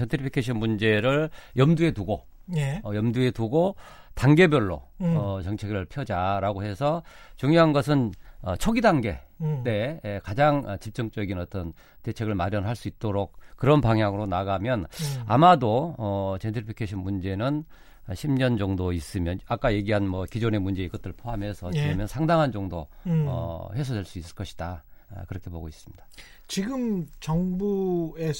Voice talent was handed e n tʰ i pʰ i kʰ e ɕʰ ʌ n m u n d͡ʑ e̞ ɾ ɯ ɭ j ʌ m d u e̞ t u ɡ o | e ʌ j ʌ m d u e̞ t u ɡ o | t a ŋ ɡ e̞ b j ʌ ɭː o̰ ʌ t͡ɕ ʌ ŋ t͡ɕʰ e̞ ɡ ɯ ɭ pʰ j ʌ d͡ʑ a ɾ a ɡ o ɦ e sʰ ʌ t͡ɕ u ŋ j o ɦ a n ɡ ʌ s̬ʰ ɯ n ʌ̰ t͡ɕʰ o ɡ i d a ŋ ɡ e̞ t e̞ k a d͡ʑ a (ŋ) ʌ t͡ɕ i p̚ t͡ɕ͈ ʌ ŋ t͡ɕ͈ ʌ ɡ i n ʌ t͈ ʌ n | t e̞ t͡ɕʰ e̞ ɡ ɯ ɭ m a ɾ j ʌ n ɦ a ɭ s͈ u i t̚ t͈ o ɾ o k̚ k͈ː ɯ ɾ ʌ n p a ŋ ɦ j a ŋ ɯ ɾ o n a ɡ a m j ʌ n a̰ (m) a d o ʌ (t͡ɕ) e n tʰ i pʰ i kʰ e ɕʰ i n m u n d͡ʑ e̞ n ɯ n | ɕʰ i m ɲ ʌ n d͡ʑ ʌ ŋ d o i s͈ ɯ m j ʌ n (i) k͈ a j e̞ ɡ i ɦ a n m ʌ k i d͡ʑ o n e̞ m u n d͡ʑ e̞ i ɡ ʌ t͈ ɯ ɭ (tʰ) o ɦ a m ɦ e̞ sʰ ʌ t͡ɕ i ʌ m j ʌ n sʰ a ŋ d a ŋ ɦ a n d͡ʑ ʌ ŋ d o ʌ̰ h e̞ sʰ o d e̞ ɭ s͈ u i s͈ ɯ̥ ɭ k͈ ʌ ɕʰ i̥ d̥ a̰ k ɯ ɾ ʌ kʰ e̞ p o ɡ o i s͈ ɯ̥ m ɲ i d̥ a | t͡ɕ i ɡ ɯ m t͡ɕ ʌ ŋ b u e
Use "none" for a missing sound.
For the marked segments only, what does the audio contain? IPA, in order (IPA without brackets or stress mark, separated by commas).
ŋ, m, t͡ɕ, a, pʰ